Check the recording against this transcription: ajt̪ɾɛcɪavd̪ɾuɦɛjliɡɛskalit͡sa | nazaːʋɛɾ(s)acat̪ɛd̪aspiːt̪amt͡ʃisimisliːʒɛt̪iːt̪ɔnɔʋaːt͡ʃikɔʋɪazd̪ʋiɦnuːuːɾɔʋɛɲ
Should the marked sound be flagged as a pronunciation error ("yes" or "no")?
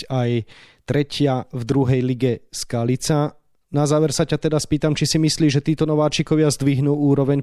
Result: no